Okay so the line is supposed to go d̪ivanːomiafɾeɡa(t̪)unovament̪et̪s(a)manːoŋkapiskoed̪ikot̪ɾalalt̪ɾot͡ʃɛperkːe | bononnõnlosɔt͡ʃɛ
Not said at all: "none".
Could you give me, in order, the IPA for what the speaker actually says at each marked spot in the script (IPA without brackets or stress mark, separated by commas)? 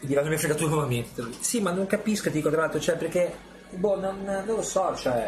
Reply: t̪, i